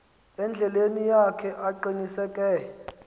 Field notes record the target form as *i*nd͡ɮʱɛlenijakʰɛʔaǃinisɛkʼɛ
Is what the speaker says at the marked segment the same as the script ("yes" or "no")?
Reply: no